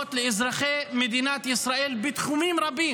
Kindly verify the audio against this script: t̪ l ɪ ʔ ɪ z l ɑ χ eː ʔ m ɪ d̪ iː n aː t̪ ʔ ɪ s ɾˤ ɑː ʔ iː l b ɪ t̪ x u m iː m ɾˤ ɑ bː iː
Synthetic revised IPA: t̪ l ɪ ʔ ɪ z ɾ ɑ x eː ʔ m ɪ d̪ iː n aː t̪ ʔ ɪ s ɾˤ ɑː ʔ iː l b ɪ t̪ x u m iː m ɾˤ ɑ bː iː